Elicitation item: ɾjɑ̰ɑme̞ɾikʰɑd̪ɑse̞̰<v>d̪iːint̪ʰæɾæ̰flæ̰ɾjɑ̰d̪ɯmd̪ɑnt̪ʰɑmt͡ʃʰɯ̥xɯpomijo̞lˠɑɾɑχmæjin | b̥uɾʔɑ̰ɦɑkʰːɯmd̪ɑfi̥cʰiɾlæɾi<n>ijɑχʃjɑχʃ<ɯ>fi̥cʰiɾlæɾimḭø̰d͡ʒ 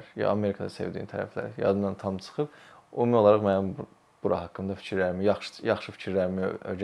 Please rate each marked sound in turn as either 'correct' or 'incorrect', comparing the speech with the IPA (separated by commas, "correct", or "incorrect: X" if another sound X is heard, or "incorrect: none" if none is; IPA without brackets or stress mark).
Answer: correct, incorrect: m, correct